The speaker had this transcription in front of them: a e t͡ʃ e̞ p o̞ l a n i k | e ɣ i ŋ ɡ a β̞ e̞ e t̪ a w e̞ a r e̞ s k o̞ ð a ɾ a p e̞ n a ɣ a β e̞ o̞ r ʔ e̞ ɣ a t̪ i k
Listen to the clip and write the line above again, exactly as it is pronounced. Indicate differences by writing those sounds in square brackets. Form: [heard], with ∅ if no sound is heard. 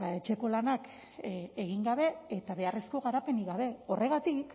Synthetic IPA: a e t͡ʃ e̞ [k] o̞ l a n [a] k | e ɣ i ŋ ɡ a β̞ e̞ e t̪ a [β] e̞ a r e̞ s k o̞ [ɣ] a ɾ a p e̞ n [i] ɣ a β e̞ o̞ r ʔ e̞ ɣ a t̪ i k